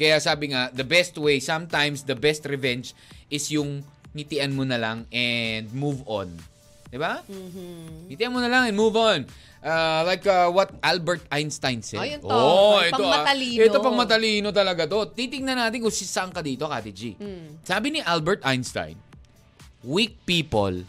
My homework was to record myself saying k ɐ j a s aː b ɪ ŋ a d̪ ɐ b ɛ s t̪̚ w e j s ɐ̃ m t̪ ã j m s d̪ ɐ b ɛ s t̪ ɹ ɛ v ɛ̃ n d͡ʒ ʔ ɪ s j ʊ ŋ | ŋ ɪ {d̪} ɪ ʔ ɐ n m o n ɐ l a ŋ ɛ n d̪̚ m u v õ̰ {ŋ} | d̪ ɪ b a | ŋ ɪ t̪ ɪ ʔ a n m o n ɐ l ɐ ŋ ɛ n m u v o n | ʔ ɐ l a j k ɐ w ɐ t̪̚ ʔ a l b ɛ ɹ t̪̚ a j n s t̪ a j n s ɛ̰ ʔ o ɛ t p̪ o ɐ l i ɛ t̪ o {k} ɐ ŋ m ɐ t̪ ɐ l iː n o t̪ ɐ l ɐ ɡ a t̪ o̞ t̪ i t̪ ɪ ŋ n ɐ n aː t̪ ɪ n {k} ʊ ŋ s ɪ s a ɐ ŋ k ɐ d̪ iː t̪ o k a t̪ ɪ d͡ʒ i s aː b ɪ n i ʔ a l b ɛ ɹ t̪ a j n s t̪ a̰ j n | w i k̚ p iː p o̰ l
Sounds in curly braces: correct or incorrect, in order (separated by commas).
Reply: incorrect, incorrect, incorrect, correct